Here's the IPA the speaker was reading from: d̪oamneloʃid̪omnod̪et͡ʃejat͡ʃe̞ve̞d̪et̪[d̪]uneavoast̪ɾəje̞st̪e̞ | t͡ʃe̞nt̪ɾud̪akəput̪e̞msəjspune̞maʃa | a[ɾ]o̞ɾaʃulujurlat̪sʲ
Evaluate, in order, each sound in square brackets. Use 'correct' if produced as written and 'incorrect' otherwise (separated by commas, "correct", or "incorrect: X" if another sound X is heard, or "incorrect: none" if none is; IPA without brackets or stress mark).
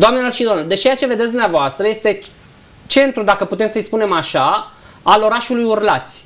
correct, incorrect: l